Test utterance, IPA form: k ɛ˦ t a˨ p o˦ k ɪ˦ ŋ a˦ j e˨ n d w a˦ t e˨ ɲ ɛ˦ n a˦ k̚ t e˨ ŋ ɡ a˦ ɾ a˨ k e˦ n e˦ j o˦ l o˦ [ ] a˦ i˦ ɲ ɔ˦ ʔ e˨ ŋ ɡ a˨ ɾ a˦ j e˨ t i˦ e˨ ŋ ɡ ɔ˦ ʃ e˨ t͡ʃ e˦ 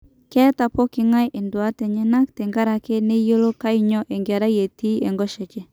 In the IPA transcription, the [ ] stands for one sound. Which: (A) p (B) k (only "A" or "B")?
B